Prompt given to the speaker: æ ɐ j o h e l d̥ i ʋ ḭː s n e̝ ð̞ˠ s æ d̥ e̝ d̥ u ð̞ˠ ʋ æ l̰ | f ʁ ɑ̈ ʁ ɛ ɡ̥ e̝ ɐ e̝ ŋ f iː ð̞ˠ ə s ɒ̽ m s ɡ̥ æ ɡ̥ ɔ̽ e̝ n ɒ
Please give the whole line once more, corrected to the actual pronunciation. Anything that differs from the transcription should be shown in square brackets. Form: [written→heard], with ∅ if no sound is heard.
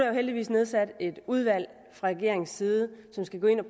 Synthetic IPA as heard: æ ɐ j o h e l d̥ i ʋ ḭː s n e̝ ð̞ˠ s æ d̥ e̝ d̥ u ð̞ˠ ʋ æ l̰ | f ʁ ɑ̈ ʁ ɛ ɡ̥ e̝ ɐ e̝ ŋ [f→s] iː ð̞ˠ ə s ɒ̽ m s ɡ̥ æ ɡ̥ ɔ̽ e̝ n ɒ